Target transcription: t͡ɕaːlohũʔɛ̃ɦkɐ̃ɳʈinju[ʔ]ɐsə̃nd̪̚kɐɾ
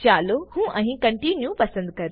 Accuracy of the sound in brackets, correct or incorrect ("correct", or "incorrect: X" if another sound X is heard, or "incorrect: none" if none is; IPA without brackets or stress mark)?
incorrect: p